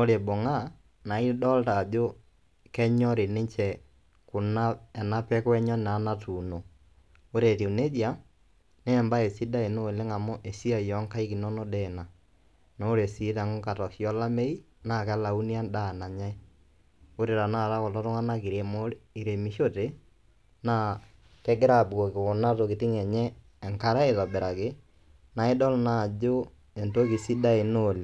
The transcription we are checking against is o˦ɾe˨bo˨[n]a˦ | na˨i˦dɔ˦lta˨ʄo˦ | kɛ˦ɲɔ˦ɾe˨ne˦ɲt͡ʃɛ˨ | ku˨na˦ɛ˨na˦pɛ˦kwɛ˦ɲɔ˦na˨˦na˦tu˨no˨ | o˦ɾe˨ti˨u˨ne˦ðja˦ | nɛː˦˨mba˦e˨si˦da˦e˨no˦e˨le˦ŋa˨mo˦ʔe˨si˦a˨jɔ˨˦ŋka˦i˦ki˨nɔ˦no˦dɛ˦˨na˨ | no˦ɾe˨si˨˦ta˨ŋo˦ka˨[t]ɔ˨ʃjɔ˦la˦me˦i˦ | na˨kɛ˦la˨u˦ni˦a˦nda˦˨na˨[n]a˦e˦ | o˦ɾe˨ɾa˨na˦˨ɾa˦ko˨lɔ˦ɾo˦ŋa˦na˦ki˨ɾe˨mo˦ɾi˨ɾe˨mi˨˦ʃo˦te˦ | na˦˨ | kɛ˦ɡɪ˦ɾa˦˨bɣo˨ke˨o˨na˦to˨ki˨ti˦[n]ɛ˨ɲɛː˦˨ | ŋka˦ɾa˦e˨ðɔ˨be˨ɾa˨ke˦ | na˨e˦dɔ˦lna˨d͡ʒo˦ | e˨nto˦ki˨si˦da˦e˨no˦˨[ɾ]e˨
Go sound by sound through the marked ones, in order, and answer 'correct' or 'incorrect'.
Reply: incorrect: ŋ, correct, incorrect: ɲ, incorrect: ŋ, incorrect: l

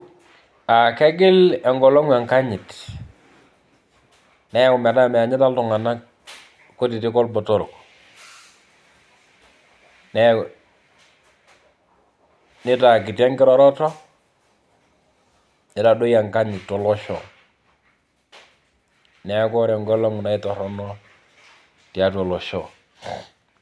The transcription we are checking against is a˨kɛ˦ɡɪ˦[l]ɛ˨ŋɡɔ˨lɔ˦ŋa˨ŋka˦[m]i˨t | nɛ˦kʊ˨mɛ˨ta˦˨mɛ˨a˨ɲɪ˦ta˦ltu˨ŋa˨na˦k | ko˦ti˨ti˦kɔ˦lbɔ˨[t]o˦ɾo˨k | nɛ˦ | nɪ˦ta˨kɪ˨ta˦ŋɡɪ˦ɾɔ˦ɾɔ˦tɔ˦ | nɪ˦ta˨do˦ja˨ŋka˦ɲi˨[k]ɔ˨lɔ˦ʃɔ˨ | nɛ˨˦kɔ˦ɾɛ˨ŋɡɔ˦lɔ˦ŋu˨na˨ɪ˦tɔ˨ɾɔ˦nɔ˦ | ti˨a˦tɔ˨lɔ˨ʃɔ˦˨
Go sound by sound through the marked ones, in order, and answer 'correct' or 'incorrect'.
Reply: correct, incorrect: ɲ, correct, incorrect: t

